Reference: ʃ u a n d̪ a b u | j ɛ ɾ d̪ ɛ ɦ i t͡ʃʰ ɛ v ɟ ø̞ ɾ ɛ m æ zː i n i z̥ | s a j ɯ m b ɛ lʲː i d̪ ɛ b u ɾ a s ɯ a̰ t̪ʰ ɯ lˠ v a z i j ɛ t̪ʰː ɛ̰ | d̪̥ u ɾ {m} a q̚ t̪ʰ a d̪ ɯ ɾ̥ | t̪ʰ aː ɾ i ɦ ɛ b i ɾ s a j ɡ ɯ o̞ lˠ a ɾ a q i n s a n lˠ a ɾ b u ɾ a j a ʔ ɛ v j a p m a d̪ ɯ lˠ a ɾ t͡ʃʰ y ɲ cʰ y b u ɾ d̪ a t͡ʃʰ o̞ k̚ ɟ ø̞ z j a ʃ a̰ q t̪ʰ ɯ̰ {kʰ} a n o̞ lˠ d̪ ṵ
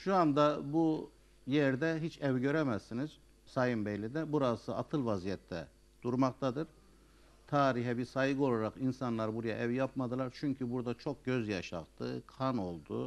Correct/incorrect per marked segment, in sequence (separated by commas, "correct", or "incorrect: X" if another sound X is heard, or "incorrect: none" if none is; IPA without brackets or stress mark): correct, correct